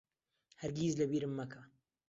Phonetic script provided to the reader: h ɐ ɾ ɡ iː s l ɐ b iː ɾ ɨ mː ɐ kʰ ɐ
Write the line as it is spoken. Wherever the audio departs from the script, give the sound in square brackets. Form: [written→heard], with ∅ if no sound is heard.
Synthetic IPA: h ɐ ɾ ɡ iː [s→z] l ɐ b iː ɾ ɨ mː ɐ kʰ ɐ